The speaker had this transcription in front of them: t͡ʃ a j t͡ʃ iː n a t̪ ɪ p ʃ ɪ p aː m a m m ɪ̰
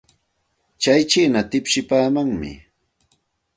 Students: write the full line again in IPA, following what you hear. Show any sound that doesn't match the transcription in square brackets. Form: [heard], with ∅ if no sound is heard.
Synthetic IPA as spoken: t͡ʃ a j t͡ʃ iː n a t̪ ɪ p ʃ ɪ p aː m a [ŋ] m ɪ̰